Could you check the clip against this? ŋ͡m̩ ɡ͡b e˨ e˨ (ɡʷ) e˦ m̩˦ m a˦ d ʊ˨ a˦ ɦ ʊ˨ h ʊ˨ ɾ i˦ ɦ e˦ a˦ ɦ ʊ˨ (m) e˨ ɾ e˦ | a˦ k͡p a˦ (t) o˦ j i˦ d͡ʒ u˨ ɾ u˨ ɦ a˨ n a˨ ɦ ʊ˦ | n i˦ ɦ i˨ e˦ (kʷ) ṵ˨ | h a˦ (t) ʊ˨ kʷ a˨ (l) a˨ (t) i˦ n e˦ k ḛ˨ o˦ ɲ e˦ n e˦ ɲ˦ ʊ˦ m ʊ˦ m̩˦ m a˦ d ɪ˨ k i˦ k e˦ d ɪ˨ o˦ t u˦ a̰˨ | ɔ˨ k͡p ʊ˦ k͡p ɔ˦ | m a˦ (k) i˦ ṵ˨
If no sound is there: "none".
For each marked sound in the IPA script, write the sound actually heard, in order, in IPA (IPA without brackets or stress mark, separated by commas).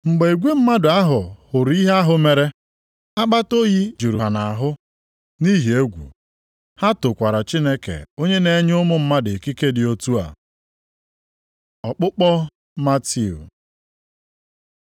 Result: ɡʷ, m, t, ɡʷ, t, ɾ, t͡ʃ, t